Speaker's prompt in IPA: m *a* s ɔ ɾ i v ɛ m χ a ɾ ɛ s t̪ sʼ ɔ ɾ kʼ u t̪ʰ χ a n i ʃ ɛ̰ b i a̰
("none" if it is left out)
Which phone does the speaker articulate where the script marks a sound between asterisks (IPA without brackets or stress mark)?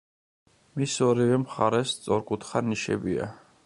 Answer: i